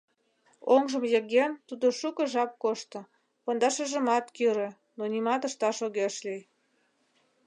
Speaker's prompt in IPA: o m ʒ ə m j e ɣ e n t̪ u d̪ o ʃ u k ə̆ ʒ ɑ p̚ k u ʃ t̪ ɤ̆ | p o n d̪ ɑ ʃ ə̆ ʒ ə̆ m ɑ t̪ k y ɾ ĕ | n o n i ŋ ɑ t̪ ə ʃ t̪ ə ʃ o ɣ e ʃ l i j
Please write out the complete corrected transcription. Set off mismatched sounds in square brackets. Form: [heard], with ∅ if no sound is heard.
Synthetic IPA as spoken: o [ŋ] ʒ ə m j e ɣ e n t̪ u d̪ o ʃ u k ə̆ ʒ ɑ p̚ k [o] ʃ t̪ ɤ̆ | p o n d̪ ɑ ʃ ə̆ ʒ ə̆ m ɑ t̪ k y ɾ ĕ | n o n i [m] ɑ t̪ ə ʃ t̪ [ɑ] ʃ o ɣ e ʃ l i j